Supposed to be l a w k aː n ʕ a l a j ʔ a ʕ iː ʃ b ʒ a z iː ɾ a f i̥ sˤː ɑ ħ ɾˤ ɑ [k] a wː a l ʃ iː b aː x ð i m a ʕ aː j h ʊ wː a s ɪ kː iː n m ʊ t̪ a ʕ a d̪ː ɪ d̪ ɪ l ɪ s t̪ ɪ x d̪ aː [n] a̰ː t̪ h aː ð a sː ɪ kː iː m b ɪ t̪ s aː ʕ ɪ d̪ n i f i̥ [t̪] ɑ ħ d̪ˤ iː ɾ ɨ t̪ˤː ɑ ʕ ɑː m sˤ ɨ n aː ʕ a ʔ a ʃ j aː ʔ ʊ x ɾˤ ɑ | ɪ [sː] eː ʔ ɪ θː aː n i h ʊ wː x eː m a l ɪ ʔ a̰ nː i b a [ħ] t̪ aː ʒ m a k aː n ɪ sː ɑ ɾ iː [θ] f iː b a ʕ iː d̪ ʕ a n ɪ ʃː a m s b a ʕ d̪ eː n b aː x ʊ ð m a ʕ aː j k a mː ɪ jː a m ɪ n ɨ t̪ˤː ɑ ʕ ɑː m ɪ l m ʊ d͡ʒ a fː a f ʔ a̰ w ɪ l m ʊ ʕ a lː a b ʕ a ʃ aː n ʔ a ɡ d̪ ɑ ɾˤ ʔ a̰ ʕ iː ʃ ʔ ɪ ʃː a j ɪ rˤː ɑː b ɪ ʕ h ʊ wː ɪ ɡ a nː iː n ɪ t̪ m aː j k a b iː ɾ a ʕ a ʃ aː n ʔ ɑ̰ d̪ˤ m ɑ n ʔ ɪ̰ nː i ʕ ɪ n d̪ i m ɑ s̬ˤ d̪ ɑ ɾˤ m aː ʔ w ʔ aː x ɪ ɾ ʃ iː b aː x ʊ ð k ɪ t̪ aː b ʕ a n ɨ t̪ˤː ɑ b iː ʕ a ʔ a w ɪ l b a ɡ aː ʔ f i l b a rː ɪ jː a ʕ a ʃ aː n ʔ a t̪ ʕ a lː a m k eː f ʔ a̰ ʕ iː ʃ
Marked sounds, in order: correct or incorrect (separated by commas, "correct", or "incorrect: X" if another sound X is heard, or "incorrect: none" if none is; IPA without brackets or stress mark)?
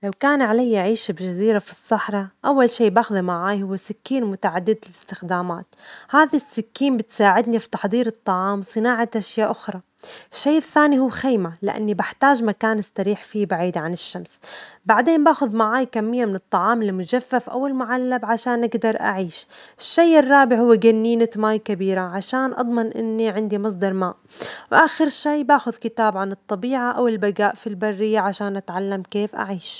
incorrect: ʔ, incorrect: m, correct, incorrect: ʃː, correct, incorrect: ħ